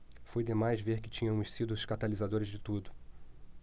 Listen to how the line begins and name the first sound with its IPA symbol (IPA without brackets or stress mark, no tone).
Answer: f